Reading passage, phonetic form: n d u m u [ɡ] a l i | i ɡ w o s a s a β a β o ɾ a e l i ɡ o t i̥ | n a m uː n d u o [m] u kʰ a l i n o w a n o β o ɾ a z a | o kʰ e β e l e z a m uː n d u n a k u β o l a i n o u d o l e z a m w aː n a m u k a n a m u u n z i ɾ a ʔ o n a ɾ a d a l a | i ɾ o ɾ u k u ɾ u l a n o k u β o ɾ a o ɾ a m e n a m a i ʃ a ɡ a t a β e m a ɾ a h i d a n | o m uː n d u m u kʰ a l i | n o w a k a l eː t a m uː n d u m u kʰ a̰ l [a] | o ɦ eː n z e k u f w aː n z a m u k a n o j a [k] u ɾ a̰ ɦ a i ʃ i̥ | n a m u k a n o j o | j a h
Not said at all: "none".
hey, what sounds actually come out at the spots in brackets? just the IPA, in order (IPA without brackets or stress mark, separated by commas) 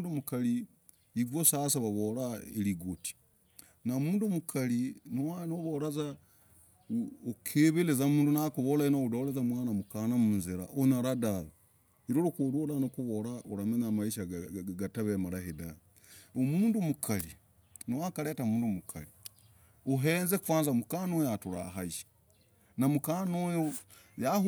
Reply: k, m, i, t